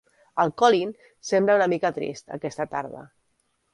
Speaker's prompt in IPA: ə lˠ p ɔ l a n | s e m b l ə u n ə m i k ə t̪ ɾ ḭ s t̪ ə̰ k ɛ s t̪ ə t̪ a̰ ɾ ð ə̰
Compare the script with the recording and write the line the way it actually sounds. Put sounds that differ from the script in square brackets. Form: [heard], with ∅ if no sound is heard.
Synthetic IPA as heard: ə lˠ [k] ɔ l [i] n | s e m b l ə u n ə m i k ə t̪ ɾ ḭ s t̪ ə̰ k ɛ s t̪ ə t̪ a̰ ɾ ð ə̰